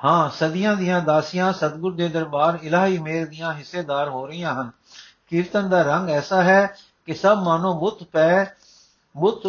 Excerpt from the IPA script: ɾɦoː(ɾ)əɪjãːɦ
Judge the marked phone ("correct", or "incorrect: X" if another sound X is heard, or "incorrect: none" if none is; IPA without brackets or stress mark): correct